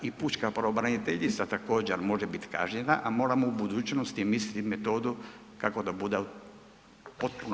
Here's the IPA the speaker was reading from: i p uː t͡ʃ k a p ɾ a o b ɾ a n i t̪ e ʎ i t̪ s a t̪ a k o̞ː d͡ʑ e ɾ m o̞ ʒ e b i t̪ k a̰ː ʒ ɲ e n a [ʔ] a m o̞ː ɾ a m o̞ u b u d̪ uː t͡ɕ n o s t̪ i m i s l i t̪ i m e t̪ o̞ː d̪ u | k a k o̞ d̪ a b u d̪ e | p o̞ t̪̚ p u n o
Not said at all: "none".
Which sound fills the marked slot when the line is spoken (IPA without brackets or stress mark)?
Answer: ʔ